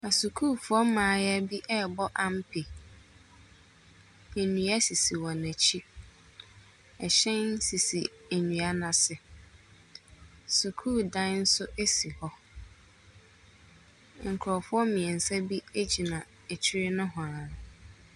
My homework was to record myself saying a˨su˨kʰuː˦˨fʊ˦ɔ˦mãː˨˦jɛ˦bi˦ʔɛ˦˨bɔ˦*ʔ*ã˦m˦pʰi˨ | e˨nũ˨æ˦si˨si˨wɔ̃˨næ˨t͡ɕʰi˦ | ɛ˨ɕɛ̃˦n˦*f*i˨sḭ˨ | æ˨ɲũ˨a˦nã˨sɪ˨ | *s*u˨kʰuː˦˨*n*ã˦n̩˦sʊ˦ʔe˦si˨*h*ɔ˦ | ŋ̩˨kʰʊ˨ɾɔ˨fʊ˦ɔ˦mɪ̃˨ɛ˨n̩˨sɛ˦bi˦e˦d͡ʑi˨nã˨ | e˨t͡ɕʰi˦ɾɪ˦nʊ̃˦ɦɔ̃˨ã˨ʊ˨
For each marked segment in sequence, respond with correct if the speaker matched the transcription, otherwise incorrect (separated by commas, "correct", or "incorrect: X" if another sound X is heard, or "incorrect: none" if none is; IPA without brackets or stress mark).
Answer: correct, incorrect: s, correct, incorrect: d, correct